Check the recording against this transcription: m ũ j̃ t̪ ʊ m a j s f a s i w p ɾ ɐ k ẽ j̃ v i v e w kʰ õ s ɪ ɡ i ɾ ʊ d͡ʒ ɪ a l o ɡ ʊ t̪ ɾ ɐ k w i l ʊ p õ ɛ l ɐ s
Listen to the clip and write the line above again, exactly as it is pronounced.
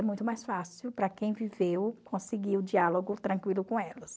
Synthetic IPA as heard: m ũ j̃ t̪ ʊ m a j s f a s i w p ɾ ɐ k ẽ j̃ v i v e w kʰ õ s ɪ ɡ i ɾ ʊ d͡ʒ i a l o ɡ ʊ t̪ ɾ ɐ̃ k w i l ʊ k õ ɛ l ɐ s